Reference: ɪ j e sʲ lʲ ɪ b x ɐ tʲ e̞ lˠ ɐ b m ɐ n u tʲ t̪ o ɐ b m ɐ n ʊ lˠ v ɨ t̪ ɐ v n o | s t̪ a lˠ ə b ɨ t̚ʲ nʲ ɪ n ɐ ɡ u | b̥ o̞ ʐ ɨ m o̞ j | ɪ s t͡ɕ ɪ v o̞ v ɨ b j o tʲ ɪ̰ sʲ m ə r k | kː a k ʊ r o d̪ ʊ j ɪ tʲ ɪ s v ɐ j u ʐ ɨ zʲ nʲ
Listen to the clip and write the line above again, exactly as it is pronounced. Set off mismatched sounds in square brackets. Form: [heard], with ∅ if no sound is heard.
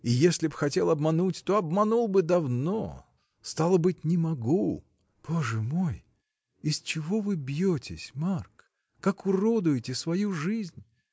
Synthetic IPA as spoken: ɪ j e sʲ lʲ ɪ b x ɐ tʲ e̞ lˠ ɐ b m ɐ n u tʲ t̪ o ɐ b m ɐ n [u] lˠ [b] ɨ [d̪] ɐ v n o | s t̪ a lˠ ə b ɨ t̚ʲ nʲ ɪ [m] ɐ ɡ u | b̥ o̞ ʐ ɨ m o̞ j | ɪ s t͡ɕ ɪ v o̞ v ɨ b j o tʲ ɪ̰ sʲ m [a] r k | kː a k ʊ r o d̪ ʊ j ɪ tʲ ɪ s v ɐ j u ʐ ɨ zʲ nʲ